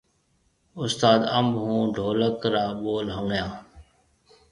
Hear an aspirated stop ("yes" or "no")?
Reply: no